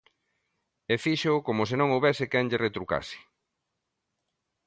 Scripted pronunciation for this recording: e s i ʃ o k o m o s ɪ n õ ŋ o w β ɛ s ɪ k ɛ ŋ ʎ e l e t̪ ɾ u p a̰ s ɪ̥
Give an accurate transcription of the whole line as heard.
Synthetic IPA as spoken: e f i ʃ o k o m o s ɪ n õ ŋ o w β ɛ s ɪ k ɛ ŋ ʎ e r e t̪ ɾ u k a̰ s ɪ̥